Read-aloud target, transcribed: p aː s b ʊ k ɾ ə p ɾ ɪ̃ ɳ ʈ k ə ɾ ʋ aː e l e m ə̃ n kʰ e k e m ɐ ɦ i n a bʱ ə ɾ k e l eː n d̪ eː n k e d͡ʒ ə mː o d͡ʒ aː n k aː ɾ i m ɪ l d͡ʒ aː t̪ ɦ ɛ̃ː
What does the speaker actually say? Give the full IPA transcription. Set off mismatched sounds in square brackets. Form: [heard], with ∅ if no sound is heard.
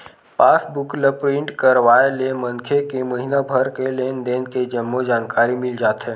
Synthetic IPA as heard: p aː s b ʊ k [l] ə p ɾ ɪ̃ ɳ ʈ k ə ɾ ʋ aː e l e m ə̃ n kʰ e k e m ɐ ɦ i n a bʱ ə ɾ k e l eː n d̪ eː n k e d͡ʒ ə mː o d͡ʒ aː n k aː ɾ i m ɪ l d͡ʒ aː t̪ ɦ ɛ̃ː